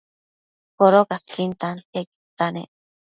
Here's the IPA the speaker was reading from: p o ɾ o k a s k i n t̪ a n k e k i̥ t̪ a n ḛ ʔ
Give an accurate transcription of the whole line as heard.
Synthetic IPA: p o ɾ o k a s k i n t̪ a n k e k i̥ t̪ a n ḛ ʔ